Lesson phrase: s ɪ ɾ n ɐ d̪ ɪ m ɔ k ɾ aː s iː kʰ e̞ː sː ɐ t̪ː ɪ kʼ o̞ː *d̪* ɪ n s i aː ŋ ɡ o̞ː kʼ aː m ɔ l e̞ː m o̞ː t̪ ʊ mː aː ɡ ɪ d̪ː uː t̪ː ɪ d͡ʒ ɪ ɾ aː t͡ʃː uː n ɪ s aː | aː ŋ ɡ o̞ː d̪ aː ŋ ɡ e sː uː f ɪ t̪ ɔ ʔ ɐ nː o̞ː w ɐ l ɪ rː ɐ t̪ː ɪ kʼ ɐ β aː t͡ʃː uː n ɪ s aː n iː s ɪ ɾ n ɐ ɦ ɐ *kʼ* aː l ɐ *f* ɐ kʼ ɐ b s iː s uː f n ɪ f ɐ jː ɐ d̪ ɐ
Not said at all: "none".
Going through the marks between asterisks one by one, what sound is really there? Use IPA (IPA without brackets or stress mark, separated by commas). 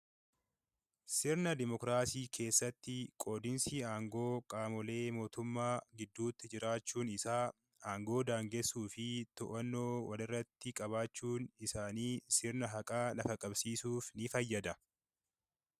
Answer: d̪, kʼ, f